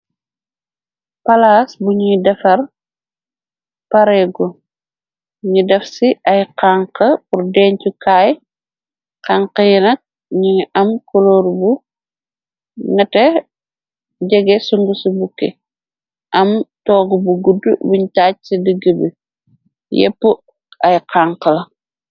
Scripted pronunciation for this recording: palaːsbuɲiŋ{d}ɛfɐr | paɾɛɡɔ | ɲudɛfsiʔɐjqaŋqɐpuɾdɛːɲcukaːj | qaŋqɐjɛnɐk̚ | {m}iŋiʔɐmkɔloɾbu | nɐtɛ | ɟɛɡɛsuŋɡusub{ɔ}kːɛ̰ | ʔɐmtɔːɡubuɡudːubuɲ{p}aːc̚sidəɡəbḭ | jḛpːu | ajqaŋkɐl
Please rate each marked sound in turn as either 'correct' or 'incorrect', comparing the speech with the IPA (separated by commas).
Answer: correct, incorrect, incorrect, incorrect